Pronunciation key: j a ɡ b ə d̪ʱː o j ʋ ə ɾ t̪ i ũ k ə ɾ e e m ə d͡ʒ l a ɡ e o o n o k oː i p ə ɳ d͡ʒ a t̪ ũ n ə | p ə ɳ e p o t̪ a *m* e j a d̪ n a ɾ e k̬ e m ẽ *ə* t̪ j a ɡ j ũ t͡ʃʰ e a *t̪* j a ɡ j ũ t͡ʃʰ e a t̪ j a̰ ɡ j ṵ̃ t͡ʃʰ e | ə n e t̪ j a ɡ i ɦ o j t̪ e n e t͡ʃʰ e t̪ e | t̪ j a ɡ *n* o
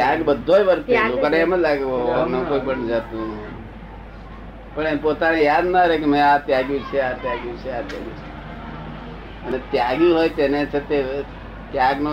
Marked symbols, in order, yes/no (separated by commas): no, no, yes, yes